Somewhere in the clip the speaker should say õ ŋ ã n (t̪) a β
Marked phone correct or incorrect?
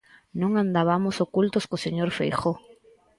incorrect